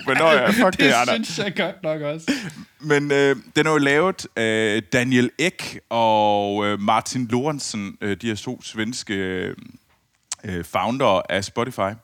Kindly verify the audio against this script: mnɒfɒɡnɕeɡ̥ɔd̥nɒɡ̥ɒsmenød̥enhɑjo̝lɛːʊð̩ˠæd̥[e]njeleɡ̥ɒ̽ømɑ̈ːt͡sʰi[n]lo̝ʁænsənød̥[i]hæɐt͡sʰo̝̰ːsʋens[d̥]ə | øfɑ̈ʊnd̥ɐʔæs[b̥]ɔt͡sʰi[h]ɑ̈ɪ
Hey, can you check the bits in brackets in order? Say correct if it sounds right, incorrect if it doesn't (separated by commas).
incorrect, correct, correct, incorrect, correct, incorrect